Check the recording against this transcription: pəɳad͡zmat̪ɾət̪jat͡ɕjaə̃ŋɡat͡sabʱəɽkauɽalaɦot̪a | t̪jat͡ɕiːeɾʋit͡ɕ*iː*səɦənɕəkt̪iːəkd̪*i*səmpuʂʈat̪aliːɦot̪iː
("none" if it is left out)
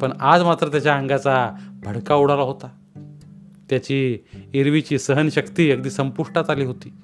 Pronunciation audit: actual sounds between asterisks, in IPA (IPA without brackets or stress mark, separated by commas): iː, iː